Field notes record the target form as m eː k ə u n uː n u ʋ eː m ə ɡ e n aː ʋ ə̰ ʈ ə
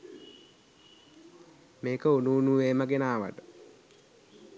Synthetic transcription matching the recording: m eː k ə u n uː n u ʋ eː m ə ɡ e n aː ʋ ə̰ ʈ ə